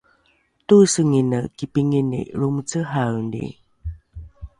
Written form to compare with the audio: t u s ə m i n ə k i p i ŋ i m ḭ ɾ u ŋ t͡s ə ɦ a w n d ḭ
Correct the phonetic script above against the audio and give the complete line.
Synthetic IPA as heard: t u s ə ŋ i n ə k i p i ŋ i n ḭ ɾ u m t͡s ə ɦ a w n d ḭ